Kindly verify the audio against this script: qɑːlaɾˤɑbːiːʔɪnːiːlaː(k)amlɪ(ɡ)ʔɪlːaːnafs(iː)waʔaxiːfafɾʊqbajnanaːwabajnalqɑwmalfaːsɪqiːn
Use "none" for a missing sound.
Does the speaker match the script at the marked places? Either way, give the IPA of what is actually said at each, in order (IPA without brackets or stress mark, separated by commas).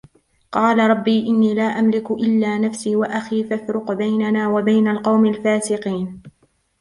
ʔ, k, iː